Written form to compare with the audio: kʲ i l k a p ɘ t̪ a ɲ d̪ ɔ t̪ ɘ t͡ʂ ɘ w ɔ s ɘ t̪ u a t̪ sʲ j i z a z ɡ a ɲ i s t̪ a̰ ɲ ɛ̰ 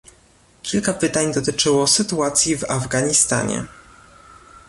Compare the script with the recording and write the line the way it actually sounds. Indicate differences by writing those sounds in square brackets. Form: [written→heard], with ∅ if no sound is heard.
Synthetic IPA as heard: kʲ i l k a p ɘ t̪ a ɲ d̪ ɔ t̪ ɘ t͡ʂ ɘ w ɔ s ɘ t̪ u a t̪ sʲ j i [z→v] a [z→v] ɡ a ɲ i s t̪ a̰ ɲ ɛ̰